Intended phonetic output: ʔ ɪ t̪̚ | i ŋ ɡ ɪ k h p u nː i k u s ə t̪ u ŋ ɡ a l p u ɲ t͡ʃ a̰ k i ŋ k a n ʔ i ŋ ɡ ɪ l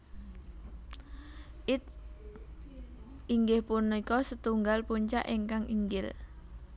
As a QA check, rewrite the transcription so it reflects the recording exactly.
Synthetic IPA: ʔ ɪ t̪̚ | i ŋ ɡ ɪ h p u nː i k ɔ s ə t̪ u ŋ ɡ a l p u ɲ t͡ʃ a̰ ʔ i ŋ k a ŋ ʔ i ŋ ɡ ɪ l